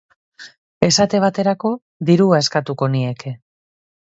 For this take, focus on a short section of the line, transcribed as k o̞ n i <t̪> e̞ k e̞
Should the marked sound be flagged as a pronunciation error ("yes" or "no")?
yes